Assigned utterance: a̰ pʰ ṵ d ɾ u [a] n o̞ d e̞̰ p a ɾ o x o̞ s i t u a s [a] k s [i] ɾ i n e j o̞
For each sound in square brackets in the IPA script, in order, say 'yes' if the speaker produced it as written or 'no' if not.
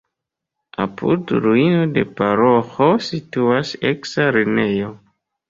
no, no, no

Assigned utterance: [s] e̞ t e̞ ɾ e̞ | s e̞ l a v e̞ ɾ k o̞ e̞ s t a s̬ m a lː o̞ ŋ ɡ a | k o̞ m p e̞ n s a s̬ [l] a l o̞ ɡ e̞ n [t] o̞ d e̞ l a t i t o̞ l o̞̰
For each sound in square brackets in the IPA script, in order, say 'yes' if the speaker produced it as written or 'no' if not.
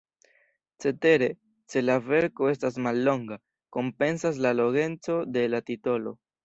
no, yes, no

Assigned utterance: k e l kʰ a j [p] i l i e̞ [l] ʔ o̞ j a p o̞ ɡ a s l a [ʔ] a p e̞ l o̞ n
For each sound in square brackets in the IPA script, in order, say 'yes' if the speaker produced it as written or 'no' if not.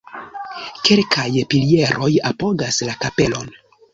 yes, no, no

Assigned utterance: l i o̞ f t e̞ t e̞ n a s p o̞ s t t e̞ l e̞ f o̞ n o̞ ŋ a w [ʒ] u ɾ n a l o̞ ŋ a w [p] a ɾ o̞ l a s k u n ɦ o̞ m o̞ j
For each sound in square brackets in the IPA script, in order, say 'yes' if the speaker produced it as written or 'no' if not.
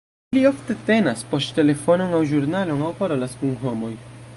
yes, yes

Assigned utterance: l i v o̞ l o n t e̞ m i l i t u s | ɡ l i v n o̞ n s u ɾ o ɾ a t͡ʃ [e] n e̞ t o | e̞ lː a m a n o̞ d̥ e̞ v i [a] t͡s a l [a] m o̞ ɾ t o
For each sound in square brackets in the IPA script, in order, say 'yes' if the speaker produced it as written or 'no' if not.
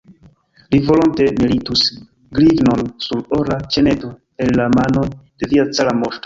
yes, yes, yes

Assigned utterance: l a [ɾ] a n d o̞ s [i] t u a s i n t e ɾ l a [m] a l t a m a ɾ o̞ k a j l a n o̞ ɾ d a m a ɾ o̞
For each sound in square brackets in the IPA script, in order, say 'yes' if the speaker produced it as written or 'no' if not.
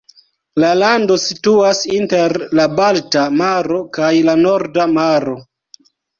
no, yes, no

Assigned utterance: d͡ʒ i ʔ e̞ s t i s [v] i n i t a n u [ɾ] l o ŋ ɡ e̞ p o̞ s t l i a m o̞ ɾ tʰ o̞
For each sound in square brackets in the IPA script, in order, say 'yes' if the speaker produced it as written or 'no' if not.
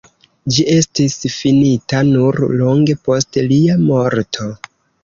no, yes

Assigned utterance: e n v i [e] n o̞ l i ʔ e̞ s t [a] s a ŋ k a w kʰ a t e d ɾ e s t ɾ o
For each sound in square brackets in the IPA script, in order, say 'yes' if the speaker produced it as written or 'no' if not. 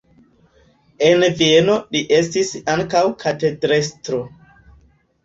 yes, no

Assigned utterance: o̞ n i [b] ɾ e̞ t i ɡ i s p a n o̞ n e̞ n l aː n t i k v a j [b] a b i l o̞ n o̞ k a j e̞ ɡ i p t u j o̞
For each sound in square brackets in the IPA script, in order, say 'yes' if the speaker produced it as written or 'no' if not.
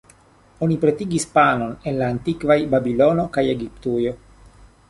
no, yes

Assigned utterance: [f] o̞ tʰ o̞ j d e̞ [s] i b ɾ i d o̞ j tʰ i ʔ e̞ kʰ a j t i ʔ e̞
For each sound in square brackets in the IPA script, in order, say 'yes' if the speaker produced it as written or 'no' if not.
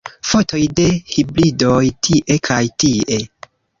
yes, no

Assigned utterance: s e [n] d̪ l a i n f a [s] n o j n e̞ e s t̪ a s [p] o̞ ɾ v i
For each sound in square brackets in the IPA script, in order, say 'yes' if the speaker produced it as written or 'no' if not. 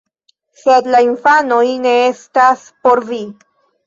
no, no, yes

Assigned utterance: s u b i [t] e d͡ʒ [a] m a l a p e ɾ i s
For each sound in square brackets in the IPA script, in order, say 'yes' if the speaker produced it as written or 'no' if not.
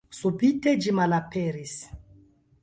yes, no

